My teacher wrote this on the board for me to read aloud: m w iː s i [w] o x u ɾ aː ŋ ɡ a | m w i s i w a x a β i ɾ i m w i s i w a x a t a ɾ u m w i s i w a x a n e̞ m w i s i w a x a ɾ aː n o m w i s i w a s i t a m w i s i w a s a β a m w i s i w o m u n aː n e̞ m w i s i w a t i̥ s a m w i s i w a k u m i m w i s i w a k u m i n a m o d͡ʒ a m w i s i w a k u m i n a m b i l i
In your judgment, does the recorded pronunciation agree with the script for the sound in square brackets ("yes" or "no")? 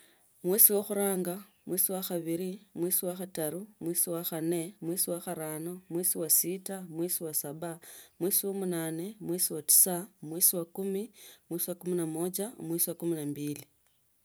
yes